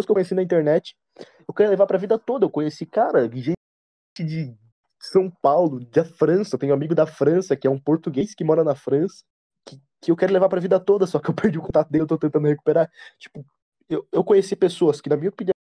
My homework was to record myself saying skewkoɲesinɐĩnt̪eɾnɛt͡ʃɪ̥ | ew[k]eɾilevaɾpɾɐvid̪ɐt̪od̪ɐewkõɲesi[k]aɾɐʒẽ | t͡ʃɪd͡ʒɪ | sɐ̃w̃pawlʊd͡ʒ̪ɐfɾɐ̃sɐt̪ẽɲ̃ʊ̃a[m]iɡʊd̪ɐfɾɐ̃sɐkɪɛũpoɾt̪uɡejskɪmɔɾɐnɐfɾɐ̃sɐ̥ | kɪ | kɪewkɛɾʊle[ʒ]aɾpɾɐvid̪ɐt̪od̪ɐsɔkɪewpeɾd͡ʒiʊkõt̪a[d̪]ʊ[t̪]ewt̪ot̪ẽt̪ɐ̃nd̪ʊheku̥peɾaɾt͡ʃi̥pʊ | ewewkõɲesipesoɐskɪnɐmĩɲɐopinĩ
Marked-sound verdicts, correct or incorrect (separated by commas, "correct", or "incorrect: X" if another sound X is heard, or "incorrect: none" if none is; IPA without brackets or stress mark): correct, correct, correct, incorrect: v, incorrect: t̪, incorrect: d̪